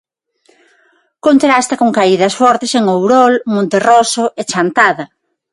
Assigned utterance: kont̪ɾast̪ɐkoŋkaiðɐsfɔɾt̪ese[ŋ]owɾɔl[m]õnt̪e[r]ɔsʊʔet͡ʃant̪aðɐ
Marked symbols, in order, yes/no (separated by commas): yes, yes, yes